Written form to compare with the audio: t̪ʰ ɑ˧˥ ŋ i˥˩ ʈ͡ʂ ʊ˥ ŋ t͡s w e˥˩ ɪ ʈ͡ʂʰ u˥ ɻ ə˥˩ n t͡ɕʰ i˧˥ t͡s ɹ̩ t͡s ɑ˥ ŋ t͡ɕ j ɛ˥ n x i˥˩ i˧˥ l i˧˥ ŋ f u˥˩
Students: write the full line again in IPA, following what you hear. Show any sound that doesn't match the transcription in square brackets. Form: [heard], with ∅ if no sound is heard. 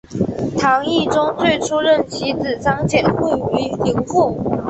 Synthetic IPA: t̪ʰ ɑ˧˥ ŋ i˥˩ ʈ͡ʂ ʊ˥ ŋ t͡s w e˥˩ ɪ ʈ͡ʂʰ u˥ ɻ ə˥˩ n t͡ɕʰ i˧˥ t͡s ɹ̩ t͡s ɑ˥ ŋ t͡ɕ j [ɛ˨˩] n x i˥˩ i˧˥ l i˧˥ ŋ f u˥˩